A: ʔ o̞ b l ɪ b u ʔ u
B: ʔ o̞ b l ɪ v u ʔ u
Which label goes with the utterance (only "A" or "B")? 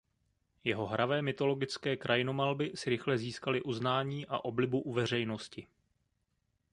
A